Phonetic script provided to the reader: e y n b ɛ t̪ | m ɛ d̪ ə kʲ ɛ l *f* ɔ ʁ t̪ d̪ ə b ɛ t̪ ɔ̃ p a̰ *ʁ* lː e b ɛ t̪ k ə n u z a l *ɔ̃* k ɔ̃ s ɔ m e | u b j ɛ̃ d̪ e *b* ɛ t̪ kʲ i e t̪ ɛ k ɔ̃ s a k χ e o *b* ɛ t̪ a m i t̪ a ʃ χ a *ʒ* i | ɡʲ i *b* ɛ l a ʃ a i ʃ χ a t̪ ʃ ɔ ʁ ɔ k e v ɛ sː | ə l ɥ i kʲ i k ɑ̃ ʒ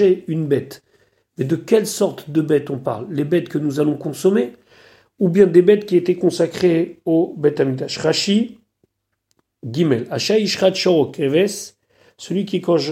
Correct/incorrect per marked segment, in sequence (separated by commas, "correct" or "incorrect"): incorrect, correct, correct, correct, correct, incorrect, incorrect